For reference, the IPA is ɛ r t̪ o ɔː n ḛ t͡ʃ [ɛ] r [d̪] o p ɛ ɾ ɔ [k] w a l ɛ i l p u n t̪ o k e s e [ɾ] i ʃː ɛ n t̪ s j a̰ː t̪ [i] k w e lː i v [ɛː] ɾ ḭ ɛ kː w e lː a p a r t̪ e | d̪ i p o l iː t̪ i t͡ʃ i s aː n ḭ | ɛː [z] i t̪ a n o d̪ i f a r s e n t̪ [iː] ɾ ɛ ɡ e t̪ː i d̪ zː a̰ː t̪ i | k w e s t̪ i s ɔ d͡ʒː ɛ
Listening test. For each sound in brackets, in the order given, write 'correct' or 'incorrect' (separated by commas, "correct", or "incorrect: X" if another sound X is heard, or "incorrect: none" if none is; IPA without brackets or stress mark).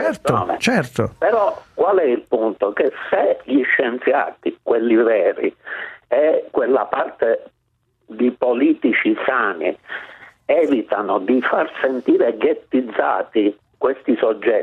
correct, incorrect: t̪, correct, incorrect: ʎ, correct, correct, incorrect: v, correct